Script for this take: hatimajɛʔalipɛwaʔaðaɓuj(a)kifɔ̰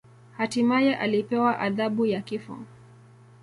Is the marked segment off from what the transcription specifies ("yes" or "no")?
no